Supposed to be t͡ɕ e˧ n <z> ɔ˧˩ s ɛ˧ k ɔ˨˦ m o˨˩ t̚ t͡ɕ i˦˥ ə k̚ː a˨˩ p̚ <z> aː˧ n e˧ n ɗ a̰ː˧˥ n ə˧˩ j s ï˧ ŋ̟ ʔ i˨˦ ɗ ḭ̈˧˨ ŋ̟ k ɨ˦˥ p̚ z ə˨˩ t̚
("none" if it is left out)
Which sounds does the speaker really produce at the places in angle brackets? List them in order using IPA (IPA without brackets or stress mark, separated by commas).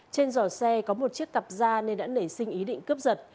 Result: z, z